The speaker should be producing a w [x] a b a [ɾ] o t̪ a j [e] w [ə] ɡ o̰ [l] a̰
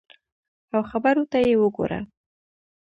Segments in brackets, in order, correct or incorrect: correct, correct, correct, correct, incorrect

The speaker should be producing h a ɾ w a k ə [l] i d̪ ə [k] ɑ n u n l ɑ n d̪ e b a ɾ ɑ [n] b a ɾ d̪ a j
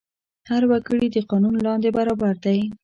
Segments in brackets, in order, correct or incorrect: incorrect, incorrect, incorrect

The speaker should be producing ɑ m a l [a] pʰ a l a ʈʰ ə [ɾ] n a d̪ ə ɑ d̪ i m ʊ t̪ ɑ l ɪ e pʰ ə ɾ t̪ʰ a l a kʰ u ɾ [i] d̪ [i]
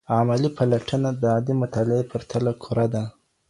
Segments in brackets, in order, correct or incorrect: incorrect, incorrect, incorrect, incorrect

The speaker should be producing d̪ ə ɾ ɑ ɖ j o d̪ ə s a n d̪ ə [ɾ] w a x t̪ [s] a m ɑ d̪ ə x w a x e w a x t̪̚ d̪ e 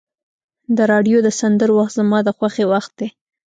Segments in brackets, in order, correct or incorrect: correct, incorrect

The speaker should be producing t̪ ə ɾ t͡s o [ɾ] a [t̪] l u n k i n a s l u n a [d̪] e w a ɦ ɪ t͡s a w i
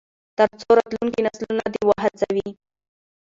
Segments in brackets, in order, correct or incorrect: correct, correct, correct

